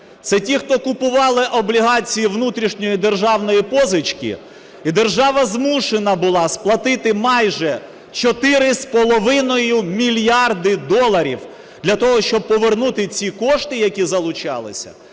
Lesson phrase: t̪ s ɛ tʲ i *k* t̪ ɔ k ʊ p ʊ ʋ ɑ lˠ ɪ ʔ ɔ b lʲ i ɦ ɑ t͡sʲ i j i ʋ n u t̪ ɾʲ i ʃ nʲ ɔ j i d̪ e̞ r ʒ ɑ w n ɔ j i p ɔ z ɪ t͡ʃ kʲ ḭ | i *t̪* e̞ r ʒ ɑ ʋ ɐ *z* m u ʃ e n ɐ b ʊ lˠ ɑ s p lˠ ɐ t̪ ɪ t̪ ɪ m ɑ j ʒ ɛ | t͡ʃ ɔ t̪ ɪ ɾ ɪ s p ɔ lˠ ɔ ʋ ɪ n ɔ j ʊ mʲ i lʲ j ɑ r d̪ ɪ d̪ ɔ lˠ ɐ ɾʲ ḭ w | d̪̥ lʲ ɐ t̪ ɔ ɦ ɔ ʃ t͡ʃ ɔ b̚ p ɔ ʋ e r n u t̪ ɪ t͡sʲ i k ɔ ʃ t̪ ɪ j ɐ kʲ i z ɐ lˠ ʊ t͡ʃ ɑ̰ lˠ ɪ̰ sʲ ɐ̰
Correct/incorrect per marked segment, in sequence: incorrect: x, incorrect: d̪, correct

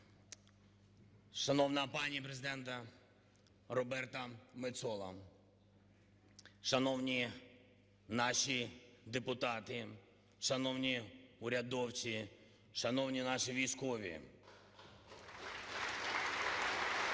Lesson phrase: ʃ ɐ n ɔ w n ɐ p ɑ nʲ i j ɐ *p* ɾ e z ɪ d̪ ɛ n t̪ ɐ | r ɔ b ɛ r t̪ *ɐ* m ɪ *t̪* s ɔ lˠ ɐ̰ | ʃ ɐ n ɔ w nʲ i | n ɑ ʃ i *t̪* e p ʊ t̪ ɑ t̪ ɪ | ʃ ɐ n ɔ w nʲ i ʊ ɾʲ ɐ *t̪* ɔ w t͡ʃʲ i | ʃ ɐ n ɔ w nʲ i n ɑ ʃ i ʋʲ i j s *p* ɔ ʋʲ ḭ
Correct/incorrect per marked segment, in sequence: correct, correct, correct, incorrect: d̪, incorrect: d̪, incorrect: k

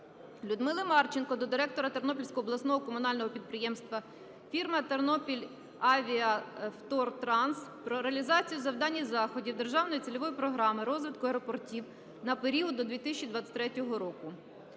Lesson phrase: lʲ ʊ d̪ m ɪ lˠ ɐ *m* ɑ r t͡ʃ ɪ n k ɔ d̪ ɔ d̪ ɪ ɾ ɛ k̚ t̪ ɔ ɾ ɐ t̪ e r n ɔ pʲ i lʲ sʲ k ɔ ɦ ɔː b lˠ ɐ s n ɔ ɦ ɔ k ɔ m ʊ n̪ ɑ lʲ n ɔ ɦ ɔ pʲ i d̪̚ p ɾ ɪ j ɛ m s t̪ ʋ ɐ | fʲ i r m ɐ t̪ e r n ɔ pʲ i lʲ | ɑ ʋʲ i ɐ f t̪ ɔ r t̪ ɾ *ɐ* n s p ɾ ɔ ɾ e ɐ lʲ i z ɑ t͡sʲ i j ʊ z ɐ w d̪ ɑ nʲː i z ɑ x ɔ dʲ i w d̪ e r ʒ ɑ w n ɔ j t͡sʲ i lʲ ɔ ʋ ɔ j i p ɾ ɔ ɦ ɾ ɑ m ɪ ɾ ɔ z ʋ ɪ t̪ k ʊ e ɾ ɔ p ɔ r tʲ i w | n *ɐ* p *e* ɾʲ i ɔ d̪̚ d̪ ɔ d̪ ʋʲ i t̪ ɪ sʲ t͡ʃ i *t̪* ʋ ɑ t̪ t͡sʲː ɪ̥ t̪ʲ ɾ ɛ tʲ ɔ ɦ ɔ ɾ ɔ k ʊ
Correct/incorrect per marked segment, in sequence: correct, incorrect: ɑ, correct, correct, incorrect: d̪

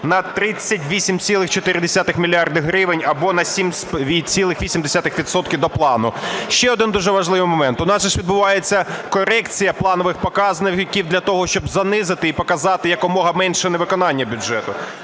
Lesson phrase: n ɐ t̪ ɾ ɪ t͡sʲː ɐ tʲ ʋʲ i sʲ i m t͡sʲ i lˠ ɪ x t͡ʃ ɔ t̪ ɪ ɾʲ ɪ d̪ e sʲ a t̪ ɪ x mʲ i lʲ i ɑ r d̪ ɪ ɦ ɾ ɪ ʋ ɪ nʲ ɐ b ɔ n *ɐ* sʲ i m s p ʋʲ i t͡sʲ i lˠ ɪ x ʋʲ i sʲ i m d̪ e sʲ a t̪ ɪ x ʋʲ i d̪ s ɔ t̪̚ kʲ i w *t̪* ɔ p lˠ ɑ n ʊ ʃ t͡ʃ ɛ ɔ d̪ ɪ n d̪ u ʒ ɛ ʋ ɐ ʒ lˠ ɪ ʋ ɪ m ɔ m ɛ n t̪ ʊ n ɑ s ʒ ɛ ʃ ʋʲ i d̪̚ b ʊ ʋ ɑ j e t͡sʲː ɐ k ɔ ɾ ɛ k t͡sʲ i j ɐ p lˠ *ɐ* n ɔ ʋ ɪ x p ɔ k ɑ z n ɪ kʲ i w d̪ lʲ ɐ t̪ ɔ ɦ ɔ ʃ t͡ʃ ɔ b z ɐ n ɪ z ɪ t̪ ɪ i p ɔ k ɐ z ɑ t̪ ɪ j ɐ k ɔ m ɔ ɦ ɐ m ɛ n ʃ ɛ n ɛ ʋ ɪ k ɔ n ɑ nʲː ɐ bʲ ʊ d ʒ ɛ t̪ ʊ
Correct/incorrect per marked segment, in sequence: correct, incorrect: d̪, incorrect: ɑ

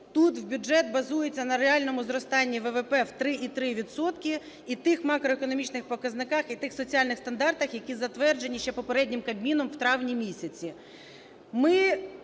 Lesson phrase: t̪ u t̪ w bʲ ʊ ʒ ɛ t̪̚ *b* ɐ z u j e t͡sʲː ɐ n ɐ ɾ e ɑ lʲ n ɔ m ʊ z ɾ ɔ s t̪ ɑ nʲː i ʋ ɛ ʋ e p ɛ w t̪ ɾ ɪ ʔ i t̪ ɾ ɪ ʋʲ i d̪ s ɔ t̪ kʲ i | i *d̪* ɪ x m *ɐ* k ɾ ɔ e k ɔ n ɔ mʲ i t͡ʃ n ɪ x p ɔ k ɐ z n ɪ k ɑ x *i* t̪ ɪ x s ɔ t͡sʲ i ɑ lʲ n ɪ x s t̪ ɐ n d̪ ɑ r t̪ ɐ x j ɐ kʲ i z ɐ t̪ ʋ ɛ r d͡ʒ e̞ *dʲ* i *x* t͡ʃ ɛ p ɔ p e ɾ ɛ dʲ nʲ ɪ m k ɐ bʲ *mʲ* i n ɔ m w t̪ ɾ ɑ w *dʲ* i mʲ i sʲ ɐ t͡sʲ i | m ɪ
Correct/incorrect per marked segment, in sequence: correct, incorrect: t̪, incorrect: ɑ, correct, incorrect: nʲ, incorrect: ʃ, correct, incorrect: nʲ

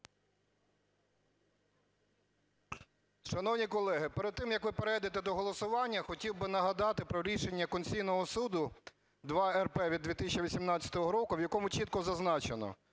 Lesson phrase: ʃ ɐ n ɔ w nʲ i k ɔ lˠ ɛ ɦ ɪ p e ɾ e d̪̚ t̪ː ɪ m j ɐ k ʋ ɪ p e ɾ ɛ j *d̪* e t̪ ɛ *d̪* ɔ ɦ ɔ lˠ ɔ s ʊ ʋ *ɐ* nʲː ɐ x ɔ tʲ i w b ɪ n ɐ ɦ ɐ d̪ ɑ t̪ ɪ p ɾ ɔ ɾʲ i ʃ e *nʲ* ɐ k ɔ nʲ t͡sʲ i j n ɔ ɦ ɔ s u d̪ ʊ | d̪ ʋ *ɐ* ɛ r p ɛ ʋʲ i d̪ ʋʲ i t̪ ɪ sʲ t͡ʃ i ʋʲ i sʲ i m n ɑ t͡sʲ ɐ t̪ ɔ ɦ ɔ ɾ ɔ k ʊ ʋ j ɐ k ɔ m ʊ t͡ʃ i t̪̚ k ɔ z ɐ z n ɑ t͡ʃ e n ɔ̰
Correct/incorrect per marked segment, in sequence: correct, correct, incorrect: ɑ, incorrect: nʲː, incorrect: ɑ

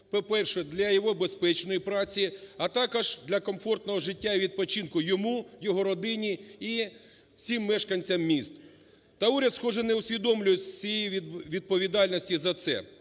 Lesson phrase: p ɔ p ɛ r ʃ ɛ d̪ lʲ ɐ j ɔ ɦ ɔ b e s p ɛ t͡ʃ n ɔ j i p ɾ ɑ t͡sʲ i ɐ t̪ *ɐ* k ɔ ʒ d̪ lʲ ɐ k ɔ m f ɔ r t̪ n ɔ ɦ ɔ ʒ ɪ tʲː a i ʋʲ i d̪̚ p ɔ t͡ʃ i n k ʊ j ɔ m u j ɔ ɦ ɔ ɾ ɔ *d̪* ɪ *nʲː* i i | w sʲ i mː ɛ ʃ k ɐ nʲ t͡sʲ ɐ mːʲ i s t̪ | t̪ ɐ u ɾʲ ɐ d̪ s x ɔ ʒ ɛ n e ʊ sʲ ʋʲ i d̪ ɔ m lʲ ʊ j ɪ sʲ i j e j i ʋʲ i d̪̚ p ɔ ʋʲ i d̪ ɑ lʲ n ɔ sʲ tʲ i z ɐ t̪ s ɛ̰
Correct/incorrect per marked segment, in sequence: incorrect: ɑ, correct, incorrect: nʲ

